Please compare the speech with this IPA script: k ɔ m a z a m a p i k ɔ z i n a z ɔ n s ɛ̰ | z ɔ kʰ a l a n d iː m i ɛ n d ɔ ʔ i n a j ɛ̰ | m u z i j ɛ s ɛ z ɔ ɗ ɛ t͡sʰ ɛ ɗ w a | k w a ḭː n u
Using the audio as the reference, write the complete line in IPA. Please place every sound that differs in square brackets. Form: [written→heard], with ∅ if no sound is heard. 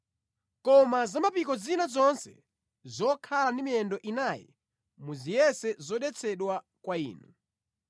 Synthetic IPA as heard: k ɔ m a z a m a p i k ɔ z i n a z ɔ n s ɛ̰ | z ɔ kʰ a l a n d [iː→i] m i ɛ n d ɔ ʔ i n a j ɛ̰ | m u z i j ɛ s ɛ z ɔ ɗ ɛ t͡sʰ ɛ ɗ w a | k w a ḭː n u